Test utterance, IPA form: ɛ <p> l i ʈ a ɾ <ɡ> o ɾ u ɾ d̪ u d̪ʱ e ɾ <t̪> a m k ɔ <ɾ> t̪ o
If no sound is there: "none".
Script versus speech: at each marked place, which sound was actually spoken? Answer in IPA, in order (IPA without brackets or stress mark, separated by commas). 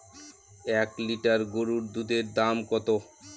k, ɡ, d̪, none